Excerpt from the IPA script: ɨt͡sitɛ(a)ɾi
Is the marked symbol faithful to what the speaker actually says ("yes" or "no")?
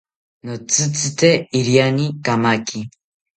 no